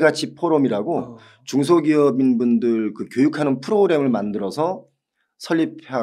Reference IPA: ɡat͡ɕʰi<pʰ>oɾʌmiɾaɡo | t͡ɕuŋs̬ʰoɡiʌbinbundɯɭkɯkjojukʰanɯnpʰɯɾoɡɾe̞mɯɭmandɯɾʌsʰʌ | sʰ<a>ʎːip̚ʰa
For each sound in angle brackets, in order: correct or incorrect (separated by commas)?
correct, incorrect